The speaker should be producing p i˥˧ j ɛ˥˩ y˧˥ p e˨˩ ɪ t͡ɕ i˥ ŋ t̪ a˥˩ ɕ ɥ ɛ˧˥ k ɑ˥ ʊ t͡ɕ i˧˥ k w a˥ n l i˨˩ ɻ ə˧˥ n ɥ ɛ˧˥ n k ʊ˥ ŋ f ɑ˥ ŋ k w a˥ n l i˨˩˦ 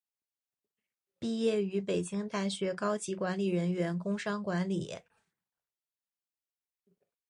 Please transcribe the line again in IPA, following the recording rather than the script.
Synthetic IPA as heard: p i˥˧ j ɛ˥˩ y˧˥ p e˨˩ ɪ t͡ɕ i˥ ŋ t̪ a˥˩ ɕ ɥ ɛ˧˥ k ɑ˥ ʊ t͡ɕ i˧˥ k w a˧˥ n l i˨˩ ɻ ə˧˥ n ɥ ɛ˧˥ n k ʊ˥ ŋ ʂ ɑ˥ ŋ k w a˧˥ n l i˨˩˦

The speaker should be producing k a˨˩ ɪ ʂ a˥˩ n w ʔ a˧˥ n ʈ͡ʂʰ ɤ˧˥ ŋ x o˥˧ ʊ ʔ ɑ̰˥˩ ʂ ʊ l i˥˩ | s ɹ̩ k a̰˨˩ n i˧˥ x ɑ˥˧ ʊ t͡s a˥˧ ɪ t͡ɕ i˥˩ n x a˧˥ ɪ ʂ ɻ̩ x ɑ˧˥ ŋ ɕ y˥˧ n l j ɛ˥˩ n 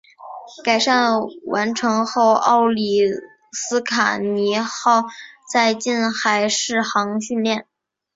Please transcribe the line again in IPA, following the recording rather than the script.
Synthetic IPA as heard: k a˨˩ ɪ ʂ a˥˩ n w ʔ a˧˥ n ʈ͡ʂʰ ɤ˧˥ ŋ x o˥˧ ʊ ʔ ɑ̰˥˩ ʊ l i˨˩ | s ɹ̩ kʰ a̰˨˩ n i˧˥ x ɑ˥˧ ʊ t͡s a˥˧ ɪ t͡ɕ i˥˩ n x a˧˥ ɪ ʂ ɻ̩ x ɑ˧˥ ŋ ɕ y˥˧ n l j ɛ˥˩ n

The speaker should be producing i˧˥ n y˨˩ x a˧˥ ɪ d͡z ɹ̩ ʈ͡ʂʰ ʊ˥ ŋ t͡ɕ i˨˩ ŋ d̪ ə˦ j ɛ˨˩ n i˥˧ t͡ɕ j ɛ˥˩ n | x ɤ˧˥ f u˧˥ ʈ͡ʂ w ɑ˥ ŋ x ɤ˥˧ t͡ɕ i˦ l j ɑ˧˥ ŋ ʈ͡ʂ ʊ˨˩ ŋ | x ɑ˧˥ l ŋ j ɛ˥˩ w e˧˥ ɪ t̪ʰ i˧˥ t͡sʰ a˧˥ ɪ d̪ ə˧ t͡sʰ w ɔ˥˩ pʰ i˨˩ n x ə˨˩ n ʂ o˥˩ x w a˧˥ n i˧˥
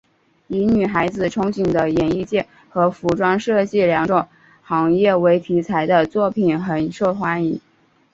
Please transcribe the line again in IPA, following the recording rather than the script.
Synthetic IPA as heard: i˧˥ n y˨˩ x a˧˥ ɪ d͡z ɹ̩ ʈ͡ʂʰ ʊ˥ ŋ t͡ɕ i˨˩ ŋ d̪ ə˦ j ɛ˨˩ n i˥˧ t͡ɕ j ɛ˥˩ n | x ɤ˧˥ f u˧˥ ʈ͡ʂ w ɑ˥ ŋ ʂ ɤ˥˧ t͡ɕ i˥˩ l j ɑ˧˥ ŋ ʈ͡ʂ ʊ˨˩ ŋ | x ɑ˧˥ ŋ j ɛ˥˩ w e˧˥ ɪ t̪ʰ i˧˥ t͡sʰ a˧˥ ɪ d̪ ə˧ t͡s w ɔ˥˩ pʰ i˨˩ n x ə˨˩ n ʂ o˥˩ x w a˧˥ n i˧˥

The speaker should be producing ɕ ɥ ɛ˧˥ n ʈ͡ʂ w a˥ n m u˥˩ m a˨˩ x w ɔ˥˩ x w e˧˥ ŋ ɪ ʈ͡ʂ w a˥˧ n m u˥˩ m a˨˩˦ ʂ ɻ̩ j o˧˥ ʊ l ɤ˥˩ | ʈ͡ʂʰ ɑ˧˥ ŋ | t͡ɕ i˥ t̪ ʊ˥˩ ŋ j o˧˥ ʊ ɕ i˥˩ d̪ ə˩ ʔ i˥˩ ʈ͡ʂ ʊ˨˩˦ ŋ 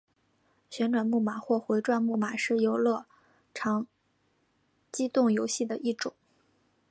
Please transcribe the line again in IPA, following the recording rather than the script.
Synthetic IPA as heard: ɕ ɥ ɛ˧˥ n ʈ͡ʂ w a˨˩ n m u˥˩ m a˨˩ x w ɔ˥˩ x w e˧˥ ɪ ʈ͡ʂ w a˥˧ n m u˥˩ m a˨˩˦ ʂ ɻ̩ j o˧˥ ʊ l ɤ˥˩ | ʈ͡ʂʰ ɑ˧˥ ŋ | t͡ɕ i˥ t̪ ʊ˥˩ ŋ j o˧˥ ʊ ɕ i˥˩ d̪ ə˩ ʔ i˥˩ ʈ͡ʂ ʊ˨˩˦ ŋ

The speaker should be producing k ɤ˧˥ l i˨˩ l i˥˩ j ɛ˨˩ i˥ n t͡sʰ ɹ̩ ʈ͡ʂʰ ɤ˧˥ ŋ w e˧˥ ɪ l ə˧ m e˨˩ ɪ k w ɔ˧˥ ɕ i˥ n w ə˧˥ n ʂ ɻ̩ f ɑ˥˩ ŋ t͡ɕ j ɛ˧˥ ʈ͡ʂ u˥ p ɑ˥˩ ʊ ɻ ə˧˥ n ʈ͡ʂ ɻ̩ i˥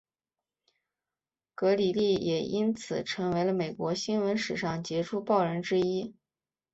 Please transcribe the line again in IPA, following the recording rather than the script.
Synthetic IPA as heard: k ɤ˧˥ l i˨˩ l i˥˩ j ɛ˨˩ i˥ n t͡sʰ ɹ̩ ʈ͡ʂʰ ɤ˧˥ ŋ w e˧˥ ɪ l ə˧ m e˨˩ ɪ k w ɔ˧˥ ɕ i˥ n w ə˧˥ n ʂ ɻ̩ ʂ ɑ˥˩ ŋ t͡ɕ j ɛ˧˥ ʈ͡ʂʰ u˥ p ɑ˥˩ ʊ ɻ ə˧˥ n ʈ͡ʂ ɻ̩ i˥

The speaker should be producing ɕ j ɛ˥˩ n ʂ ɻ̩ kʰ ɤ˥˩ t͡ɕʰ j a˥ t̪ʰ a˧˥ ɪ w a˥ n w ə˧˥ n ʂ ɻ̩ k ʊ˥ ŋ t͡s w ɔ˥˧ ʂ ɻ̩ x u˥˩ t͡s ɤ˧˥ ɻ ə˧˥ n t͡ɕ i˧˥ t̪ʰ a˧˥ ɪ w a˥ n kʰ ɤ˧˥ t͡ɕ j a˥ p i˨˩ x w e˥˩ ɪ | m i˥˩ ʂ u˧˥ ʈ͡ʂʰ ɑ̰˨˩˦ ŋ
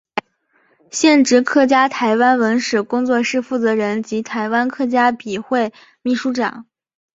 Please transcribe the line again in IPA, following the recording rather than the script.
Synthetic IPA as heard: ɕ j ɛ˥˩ n ʈ͡ʂ ɻ̩ kʰ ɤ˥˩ t͡ɕ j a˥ t̪ʰ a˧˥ ɪ w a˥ n w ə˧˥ n ʂ ɻ̩ k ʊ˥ ŋ t͡s w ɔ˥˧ ʂ ɻ̩ f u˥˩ t͡s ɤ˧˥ ɻ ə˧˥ n t͡ɕ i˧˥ t̪ʰ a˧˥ ɪ w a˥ n kʰ ɤ˥˩ t͡ɕ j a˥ p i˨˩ x w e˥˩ ɪ | m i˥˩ ʂ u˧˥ ʈ͡ʂ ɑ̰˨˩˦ ŋ

